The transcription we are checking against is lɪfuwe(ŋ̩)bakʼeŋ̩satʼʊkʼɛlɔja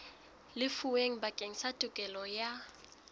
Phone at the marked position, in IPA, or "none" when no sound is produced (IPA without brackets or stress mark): ŋ̩